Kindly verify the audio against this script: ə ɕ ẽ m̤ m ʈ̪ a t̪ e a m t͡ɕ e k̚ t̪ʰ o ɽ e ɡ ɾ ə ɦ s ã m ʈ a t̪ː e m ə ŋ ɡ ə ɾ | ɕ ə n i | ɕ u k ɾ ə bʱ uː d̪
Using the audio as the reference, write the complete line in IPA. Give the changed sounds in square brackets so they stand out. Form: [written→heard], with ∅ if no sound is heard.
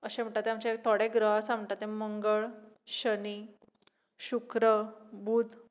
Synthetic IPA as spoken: ə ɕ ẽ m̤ [m→ɳ] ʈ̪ a t̪ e a m t͡ɕ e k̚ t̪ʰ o ɽ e ɡ ɾ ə ɦ s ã m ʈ a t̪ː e m ə ŋ ɡ ə [ɾ→ɭ] | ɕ ə n i | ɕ u k ɾ ə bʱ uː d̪